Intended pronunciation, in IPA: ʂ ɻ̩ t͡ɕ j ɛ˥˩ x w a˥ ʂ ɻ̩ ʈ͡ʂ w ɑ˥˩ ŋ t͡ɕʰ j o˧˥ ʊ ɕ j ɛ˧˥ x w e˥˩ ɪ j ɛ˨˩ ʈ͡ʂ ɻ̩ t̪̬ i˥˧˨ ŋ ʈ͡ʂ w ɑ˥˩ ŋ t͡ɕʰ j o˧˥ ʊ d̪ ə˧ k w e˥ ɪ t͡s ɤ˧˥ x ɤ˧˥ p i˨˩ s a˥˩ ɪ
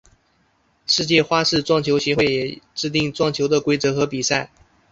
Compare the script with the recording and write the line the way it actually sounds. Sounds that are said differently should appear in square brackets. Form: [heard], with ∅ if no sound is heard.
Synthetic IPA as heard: ʂ ɻ̩ t͡ɕ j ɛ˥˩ x w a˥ ʂ ɻ̩ ʈ͡ʂ w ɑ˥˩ ŋ t͡ɕʰ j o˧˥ ʊ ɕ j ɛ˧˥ x w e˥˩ ɪ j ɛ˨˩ ʈ͡ʂ ɻ̩ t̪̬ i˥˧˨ ŋ ʈ͡ʂ w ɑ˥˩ ŋ t͡ɕʰ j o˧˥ ʊ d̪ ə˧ k w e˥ ɪ t͡s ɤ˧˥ x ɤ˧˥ p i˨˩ s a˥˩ ɪ